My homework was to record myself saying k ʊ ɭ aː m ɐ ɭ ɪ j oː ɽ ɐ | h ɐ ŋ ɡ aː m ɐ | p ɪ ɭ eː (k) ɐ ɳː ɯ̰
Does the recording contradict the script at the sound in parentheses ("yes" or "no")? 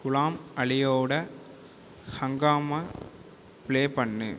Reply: yes